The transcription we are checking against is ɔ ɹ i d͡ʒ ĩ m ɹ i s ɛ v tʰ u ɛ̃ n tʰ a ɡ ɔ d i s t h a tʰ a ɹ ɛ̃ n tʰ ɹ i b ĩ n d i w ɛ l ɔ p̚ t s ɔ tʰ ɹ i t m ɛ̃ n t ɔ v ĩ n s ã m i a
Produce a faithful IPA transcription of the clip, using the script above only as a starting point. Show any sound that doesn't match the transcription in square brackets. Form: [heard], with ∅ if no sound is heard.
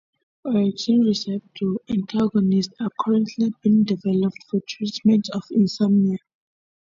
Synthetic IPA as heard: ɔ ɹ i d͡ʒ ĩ [n] ɹ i s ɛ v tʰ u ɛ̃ n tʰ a ɡ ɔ [n] i s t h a [kʰ] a ɹ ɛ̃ n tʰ [l] i b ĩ n d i [v] ɛ l ɔ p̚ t [f] ɔ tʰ ɹ i t m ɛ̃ n t ɔ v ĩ n s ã m i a